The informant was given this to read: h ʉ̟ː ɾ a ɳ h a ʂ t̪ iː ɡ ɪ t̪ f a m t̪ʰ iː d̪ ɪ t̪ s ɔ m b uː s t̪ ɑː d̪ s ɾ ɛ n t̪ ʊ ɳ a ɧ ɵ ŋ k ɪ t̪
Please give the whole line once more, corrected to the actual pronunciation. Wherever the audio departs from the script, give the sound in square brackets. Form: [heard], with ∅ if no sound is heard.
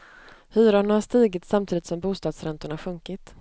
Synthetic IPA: h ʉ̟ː ɾ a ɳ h a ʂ t̪ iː ɡ ɪ t̪ [s] a m t̪ʰ iː d̪ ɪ t̪ s ɔ m b uː s t̪ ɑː d̪ s ɾ ɛ n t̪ ʊ ɳ a ɧ ɵ ŋ k ɪ t̪